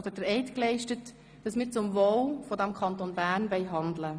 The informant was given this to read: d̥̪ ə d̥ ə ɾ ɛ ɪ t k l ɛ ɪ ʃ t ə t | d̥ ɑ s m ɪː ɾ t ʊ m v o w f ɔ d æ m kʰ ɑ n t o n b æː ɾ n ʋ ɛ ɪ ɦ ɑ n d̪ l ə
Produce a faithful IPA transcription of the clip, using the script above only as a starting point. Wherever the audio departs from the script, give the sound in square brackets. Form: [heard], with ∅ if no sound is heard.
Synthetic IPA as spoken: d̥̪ ə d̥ ə ɾ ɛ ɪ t k l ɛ ɪ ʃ t ə t | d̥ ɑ s m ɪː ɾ [t͡s] ʊ m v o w f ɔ d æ m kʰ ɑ n t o n b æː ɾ n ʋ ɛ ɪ ɦ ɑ n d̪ l ə